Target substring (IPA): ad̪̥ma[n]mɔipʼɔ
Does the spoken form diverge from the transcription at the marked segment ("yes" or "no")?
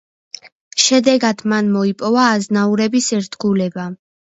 no